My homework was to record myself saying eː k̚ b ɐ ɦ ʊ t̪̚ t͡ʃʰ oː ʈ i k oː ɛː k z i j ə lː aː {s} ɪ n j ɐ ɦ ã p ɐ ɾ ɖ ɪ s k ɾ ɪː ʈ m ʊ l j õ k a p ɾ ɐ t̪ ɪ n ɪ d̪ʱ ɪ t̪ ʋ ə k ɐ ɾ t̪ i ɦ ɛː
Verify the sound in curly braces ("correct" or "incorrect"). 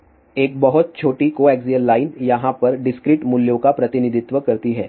incorrect